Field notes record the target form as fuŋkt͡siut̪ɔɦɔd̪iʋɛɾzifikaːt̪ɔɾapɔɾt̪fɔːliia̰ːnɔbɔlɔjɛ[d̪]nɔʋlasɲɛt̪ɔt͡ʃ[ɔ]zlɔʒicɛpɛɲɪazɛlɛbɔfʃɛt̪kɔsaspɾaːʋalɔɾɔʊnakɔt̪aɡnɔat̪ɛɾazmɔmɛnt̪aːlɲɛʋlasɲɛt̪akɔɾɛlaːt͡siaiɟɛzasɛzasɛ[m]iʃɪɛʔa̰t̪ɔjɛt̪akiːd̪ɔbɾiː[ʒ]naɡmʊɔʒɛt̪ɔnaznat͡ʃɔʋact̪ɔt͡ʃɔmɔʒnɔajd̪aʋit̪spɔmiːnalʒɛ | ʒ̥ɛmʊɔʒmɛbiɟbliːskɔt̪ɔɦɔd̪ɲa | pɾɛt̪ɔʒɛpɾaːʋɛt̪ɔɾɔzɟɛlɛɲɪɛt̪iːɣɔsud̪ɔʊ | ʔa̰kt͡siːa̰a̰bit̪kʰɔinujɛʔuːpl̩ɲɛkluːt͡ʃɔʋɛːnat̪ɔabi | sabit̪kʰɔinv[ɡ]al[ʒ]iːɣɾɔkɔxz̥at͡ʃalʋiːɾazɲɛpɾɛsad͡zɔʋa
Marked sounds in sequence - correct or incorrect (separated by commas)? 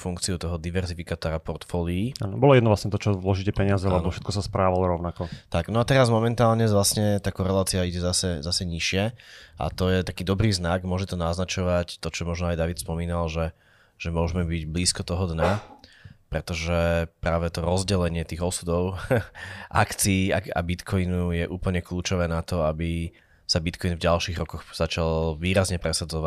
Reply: correct, correct, incorrect, incorrect, incorrect, incorrect